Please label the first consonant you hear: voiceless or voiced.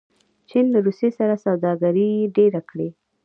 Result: voiceless